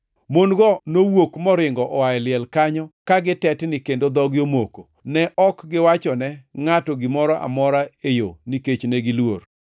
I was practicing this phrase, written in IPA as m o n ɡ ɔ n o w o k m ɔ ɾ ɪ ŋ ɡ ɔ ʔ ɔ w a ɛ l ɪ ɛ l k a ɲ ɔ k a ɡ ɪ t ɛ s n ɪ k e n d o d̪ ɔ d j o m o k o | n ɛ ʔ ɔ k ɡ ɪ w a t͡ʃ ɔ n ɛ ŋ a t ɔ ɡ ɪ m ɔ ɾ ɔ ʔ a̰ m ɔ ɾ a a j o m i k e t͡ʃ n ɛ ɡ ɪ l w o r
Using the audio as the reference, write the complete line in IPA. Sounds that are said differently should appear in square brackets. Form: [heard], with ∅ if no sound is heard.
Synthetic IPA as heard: m o n ɡ ɔ n o w o k m ɔ ɾ ɪ ŋ ɡ ɔ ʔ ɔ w a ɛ l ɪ ɛ l k a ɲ ɔ k a ɡ ɪ t ɛ [t] n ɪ k e n d o d̪ ɔ [ɡ] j o m o k o | n ɛ ʔ ɔ k ɡ ɪ w a t͡ʃ ɔ n ɛ ŋ a t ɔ ɡ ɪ m ɔ ɾ ɔ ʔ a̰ m ɔ ɾ a [e] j o [n] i k e t͡ʃ n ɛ ɡ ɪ l w o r